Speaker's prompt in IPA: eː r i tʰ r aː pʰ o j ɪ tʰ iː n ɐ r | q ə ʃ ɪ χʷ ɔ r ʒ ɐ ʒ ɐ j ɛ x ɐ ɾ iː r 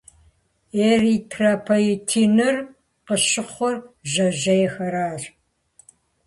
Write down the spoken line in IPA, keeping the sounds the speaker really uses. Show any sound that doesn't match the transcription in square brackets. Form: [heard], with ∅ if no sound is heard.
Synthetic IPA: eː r i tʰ r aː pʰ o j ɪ tʰ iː n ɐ r | q ə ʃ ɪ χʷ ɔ r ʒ ɐ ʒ ɐ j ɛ x ɐ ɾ [aː] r